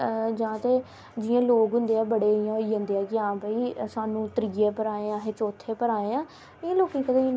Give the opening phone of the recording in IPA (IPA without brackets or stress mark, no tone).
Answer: d͡ʒ